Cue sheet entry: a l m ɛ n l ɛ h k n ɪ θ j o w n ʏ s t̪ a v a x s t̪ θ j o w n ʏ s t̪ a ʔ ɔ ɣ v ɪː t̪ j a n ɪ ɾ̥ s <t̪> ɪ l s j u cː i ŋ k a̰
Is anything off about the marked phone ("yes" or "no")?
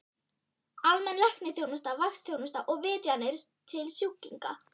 yes